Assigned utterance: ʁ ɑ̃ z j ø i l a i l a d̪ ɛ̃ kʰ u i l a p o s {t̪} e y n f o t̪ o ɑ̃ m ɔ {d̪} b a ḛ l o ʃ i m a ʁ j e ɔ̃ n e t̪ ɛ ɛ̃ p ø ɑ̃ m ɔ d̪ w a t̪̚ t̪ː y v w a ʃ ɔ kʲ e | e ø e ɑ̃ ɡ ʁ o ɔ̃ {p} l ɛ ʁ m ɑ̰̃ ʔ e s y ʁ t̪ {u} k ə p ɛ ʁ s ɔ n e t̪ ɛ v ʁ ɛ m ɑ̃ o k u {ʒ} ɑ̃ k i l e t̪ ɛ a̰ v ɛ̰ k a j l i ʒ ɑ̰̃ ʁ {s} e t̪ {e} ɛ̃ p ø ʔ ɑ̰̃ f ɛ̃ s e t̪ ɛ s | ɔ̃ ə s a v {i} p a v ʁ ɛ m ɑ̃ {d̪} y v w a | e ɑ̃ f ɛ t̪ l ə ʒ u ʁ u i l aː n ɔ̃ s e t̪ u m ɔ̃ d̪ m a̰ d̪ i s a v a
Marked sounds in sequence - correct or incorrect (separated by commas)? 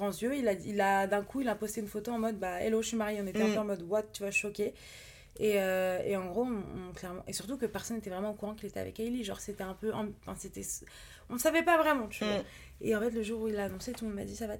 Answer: correct, correct, incorrect, correct, incorrect, correct, incorrect, incorrect, incorrect